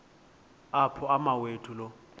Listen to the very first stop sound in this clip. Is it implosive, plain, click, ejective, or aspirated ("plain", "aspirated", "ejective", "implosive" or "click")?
aspirated